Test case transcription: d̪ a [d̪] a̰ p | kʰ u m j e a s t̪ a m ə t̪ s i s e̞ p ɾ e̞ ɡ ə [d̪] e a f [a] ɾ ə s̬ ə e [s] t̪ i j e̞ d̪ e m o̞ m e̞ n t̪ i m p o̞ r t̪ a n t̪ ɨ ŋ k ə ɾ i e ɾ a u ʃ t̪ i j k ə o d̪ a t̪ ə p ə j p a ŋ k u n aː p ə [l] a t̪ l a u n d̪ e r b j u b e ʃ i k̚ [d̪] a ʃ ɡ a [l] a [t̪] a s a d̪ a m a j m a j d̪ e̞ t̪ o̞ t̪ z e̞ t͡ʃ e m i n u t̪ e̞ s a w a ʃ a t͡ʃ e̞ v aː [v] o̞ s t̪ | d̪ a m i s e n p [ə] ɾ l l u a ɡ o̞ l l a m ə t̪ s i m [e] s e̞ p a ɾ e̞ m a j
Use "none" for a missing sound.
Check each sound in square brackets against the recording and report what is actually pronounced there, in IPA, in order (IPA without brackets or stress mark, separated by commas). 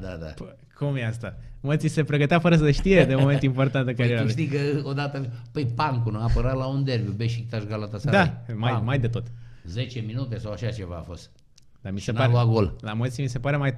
d̪, t̪, ə, ʃ, ɾ, t̪, l, t̪, f, a, i